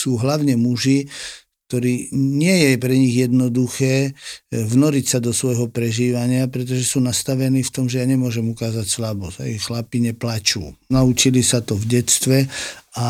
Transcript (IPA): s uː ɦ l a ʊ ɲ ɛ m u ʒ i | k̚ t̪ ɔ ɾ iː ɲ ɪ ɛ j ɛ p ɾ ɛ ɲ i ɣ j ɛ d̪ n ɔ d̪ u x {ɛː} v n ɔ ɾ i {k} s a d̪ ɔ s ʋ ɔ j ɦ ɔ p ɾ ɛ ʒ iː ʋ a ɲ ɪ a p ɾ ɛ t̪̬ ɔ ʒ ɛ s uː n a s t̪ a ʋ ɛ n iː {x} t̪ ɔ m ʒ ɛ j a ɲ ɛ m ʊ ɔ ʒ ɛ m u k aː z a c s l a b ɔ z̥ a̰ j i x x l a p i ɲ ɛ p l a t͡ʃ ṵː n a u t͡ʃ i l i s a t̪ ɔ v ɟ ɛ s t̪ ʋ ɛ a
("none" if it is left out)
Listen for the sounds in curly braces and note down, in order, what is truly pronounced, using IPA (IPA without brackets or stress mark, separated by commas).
ɛː, c, f